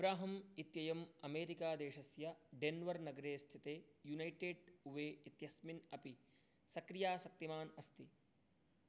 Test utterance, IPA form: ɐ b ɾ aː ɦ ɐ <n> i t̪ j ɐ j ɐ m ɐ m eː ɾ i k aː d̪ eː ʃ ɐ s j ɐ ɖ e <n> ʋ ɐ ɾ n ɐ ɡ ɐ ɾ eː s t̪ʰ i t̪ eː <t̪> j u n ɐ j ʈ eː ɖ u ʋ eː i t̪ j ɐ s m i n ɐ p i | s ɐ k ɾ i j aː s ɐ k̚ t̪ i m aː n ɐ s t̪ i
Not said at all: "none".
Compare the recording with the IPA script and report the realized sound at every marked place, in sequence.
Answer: m, n, none

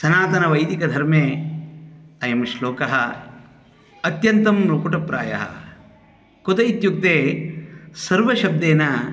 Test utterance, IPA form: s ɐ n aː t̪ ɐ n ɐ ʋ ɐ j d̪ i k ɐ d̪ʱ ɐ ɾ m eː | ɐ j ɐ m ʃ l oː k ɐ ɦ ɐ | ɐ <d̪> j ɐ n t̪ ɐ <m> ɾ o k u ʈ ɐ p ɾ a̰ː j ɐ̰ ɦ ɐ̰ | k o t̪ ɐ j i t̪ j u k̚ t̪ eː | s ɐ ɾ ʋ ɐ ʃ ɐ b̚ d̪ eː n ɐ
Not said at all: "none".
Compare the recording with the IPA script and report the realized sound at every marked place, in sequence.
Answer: t̪, m

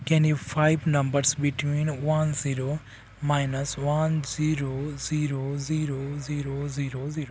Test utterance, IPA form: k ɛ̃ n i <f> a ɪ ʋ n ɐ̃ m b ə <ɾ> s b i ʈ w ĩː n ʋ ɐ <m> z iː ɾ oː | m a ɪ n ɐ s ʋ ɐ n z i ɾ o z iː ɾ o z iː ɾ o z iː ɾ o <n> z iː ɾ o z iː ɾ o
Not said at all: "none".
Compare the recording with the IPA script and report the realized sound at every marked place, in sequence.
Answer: f, ɾ, n, none

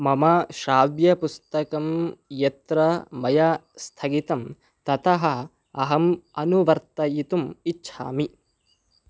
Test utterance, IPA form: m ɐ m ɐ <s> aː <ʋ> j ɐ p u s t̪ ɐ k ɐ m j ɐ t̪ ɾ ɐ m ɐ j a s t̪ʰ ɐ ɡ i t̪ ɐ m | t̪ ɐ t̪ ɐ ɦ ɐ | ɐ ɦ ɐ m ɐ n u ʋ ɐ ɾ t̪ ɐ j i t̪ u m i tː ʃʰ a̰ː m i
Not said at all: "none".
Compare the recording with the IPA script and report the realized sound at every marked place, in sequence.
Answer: ʃ, ʋ

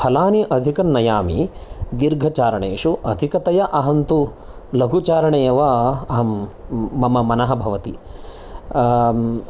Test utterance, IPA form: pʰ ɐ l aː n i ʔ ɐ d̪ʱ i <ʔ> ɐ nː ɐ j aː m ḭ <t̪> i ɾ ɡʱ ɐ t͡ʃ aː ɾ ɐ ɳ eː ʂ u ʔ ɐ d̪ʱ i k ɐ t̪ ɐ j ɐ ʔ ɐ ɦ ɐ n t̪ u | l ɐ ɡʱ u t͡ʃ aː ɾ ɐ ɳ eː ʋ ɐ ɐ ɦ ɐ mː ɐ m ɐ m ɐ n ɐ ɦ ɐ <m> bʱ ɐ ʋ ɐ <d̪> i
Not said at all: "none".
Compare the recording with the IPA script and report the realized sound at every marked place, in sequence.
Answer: k, d̪, none, t̪

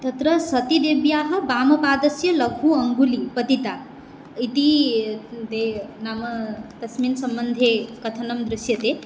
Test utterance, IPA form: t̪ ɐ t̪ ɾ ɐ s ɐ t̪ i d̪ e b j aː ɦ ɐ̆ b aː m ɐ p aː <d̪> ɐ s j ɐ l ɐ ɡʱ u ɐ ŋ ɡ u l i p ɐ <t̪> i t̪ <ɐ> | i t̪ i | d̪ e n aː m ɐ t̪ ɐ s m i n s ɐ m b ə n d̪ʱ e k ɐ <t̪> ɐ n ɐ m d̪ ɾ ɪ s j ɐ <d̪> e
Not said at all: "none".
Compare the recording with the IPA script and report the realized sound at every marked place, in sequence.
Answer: d̪, t̪, a, t̪ʰ, t̪

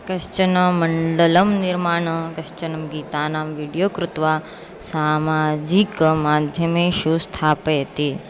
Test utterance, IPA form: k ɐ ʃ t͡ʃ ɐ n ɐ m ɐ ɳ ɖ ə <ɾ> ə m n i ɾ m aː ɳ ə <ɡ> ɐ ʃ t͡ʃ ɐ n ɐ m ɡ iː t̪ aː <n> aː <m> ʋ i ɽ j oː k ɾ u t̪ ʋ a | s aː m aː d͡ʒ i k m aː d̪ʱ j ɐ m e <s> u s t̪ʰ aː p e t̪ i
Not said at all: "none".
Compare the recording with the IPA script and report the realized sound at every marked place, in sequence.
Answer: l, k, n, m, ʃ

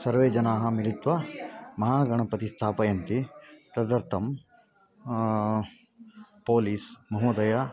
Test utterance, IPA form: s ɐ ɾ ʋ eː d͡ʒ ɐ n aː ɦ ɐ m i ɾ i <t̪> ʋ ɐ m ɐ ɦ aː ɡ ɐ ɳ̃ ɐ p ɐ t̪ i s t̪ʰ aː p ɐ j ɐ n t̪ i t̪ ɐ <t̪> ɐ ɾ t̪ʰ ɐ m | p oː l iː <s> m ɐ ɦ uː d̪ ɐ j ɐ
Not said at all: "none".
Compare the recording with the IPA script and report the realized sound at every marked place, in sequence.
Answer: t̪, d̪, s

